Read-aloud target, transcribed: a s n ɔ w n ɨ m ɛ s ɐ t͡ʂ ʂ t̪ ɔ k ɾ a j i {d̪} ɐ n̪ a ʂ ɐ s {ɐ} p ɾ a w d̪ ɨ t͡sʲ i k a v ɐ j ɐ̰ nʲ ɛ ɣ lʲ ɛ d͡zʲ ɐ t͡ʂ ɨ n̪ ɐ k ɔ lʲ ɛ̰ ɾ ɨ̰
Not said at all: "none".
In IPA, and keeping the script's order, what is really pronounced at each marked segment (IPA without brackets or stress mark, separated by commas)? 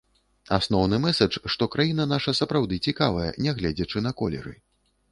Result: n̪, ɐ